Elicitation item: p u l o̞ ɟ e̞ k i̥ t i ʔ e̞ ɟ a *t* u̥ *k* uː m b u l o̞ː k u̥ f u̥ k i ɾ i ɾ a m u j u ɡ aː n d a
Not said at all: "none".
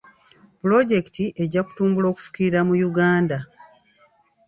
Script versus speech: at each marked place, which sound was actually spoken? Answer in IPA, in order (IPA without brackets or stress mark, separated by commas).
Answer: k, t